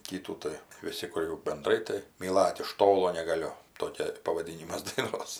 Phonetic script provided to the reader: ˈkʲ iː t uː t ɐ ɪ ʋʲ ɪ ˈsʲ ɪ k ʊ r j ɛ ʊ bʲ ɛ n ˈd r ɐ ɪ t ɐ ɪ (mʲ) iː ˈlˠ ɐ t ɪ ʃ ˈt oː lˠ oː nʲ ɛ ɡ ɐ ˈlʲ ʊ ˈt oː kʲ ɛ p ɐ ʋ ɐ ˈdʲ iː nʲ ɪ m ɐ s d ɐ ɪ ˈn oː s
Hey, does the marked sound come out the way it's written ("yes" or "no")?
yes